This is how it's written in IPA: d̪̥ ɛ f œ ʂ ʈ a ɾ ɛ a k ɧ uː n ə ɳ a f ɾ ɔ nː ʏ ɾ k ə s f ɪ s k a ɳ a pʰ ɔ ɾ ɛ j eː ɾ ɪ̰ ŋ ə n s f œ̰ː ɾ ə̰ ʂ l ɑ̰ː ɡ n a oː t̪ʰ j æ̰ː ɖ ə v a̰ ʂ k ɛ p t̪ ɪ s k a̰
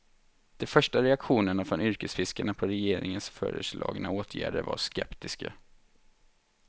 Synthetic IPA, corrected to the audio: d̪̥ ɛ f œ ʂ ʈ a ɾ ɛ a k ɧ uː n ə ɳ a f ɾ ɔ n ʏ ɾ k ə s f ɪ s k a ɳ a pʰ ɔ ɾ ɛ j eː ɾ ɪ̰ ŋ ə n s f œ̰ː ɾ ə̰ ʂ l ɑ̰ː ɡ n a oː t̪ʰ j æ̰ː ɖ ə v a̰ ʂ k ɛ p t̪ ɪ s k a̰